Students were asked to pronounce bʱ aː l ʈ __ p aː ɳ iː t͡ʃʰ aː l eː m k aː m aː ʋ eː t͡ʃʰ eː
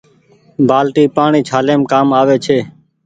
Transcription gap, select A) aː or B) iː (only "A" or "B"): B